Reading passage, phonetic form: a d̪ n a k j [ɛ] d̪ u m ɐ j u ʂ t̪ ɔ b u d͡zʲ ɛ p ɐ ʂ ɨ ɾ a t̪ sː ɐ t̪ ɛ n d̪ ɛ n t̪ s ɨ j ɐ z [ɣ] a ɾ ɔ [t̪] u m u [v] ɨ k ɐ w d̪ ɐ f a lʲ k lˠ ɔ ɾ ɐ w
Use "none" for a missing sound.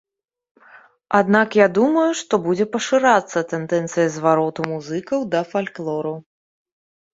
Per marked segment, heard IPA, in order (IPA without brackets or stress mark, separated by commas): a, v, t̪, z